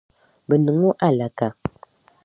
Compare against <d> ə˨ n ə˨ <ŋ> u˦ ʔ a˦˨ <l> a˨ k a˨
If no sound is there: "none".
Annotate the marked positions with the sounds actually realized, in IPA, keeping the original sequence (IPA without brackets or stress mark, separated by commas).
b, ŋ, l